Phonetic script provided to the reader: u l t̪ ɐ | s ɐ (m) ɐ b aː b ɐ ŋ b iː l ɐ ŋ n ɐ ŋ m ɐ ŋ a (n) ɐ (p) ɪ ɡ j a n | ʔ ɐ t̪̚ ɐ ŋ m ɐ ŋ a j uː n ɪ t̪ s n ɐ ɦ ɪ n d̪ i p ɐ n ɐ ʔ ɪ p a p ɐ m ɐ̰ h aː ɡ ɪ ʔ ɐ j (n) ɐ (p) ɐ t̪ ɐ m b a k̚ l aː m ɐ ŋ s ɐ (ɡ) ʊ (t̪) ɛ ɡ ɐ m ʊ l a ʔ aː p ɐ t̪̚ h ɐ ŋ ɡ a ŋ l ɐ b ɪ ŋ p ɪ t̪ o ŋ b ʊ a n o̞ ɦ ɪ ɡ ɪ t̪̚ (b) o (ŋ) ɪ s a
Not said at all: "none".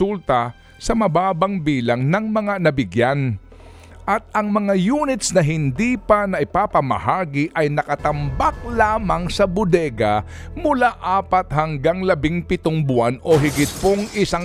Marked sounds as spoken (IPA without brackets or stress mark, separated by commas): m, n, b, n, k, b, d̪, p, ŋ